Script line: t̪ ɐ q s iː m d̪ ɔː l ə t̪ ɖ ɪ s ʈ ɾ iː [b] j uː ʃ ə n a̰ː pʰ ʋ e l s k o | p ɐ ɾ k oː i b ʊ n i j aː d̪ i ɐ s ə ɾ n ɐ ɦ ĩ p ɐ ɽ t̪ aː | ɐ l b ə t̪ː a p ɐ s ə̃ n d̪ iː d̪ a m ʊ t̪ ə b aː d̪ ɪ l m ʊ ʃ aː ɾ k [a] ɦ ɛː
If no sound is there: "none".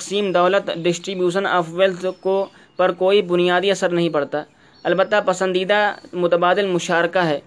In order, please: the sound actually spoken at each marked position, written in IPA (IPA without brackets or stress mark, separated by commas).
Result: b, a